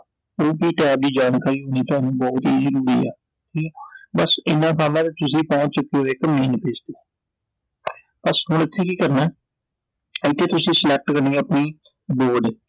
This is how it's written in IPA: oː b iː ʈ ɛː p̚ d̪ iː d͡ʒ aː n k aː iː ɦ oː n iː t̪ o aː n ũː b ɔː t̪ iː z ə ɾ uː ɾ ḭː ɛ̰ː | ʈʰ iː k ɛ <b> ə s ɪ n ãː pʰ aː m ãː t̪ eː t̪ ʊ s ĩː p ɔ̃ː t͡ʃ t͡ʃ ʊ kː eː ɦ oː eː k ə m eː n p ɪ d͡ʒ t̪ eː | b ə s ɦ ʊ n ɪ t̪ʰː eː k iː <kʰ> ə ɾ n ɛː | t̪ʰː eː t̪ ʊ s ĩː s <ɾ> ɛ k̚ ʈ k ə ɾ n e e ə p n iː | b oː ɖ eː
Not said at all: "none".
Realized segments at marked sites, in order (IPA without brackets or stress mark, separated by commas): b, k, l